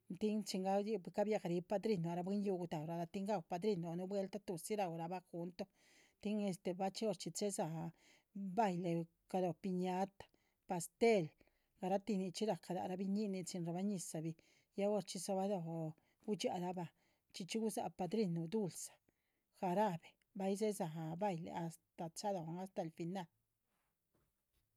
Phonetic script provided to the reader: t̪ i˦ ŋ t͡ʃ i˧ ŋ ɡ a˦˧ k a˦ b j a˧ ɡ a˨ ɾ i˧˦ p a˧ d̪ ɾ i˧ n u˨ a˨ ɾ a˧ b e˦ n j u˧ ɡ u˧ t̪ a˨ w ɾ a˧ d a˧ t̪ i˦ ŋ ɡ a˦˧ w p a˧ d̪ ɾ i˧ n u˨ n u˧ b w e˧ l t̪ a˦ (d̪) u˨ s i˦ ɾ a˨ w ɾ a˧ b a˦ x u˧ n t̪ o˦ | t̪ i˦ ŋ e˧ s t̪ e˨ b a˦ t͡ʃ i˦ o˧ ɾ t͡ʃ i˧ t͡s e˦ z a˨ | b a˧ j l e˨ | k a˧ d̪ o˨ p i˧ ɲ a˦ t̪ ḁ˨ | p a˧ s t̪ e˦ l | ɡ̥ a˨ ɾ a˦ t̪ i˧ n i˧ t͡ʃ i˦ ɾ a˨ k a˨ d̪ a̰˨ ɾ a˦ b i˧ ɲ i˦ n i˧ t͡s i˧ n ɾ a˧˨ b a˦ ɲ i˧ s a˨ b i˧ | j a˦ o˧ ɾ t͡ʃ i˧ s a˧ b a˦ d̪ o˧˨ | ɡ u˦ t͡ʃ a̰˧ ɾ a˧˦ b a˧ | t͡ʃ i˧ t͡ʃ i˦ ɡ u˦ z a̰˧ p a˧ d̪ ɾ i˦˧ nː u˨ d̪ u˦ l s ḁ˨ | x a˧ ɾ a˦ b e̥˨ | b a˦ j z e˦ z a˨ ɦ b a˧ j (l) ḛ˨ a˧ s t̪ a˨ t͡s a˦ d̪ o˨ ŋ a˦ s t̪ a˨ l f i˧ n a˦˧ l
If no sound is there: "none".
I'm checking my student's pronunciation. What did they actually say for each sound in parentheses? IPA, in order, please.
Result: t̪, l

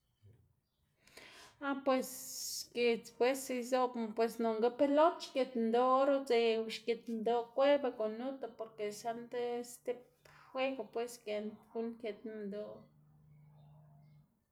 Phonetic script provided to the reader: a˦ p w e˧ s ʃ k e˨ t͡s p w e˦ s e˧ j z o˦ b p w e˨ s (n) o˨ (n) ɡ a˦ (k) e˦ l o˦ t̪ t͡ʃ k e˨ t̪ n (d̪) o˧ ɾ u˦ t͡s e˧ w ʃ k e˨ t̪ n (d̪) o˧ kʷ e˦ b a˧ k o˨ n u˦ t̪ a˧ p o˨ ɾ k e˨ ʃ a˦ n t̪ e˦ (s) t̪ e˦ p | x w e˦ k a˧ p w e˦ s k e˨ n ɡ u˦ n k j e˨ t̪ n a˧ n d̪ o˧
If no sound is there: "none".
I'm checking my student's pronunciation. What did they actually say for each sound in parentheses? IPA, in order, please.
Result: n, ŋ, p, d̪, d̪, s

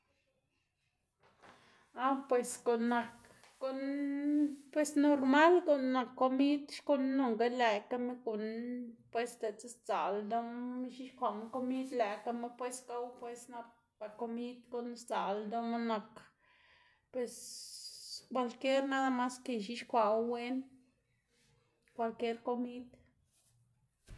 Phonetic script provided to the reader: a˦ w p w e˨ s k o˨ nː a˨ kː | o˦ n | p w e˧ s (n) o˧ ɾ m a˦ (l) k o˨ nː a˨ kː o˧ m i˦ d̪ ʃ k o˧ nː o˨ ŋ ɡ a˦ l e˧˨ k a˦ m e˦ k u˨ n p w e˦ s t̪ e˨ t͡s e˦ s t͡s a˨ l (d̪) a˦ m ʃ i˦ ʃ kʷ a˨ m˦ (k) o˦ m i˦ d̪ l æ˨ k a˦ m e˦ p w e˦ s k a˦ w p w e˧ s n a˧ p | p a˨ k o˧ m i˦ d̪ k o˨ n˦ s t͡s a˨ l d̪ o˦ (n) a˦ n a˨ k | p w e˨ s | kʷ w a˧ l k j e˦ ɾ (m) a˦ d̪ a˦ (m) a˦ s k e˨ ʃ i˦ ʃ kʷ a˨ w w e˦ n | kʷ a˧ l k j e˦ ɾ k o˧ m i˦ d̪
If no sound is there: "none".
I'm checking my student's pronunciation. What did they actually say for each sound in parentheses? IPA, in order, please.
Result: n, l, d̪, k, m, n, m

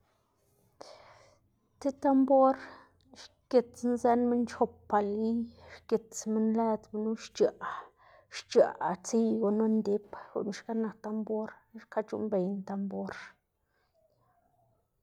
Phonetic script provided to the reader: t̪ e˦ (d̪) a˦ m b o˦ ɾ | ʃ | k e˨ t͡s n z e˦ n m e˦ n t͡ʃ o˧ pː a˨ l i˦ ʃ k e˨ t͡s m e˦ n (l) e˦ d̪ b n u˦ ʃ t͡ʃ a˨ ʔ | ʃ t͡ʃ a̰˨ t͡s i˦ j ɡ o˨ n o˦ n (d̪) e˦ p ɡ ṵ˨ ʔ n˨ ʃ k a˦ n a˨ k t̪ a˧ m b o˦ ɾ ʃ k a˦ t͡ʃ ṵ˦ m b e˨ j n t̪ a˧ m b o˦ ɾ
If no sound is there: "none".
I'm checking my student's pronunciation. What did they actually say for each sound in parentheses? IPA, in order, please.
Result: t̪, l, d̪

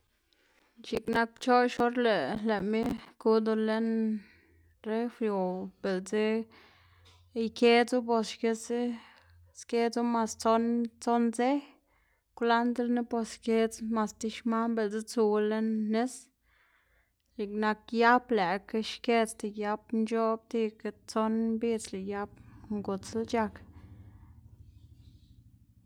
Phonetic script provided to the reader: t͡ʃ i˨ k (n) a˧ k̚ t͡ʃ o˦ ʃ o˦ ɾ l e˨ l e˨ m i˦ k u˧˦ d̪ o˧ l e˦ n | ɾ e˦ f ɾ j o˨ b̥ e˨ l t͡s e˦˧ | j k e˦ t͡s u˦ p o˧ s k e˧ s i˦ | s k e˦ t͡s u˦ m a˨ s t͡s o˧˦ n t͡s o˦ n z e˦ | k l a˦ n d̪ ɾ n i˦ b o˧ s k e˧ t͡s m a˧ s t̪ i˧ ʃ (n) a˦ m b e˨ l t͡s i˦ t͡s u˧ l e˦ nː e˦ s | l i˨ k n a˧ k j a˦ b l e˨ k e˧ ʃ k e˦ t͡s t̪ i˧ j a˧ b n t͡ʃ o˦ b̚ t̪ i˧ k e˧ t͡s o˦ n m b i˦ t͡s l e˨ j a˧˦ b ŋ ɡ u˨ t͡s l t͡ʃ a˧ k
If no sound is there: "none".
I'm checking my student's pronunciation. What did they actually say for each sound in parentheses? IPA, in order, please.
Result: n, m

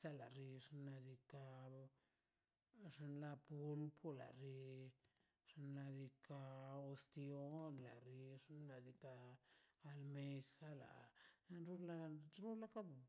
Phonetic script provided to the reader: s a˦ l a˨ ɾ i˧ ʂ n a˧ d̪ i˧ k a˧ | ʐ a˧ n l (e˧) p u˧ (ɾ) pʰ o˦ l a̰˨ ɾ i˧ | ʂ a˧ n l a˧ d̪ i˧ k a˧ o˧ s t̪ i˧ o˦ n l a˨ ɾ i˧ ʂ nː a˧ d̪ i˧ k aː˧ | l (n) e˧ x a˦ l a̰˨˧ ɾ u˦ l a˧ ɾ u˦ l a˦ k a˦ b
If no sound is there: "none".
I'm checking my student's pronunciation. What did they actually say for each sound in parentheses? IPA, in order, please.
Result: a˧, l, m

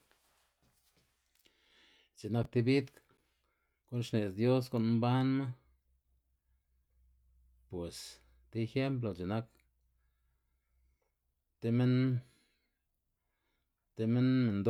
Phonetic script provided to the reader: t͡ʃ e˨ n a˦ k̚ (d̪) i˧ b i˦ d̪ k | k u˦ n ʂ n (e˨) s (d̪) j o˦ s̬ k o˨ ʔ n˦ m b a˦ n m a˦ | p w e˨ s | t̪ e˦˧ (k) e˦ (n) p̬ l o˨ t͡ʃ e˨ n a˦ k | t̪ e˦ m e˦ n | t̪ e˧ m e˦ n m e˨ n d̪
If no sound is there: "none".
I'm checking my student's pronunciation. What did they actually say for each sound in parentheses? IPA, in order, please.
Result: t̪, e˨, d̪, x, m

